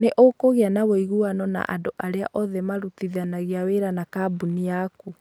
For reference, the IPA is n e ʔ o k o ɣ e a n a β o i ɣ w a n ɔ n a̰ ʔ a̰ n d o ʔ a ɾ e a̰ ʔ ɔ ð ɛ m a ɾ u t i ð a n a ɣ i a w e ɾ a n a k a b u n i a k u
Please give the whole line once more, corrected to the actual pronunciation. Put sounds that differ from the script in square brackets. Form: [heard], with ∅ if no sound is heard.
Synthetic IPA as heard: n e ʔ o k o ɣ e a n a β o i ɣ [u] a n ɔ n a̰ ʔ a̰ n d o ʔ a ɾ e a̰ ʔ ɔ ð ɛ m a ɾ u t i ð a n a ɣ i a w e ɾ a n a k a b u n i a k u